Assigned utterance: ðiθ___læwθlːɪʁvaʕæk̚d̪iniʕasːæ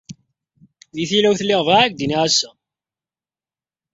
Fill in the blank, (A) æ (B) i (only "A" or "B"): B